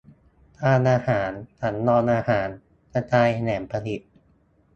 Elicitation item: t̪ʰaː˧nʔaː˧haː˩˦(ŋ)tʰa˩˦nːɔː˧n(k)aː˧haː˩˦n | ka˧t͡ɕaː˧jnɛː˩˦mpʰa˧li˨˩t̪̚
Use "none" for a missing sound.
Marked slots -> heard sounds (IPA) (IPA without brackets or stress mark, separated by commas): n, ʔ